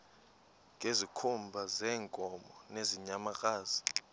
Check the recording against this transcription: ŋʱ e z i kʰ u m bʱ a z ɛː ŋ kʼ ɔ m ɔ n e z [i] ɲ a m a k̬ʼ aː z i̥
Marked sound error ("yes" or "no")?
no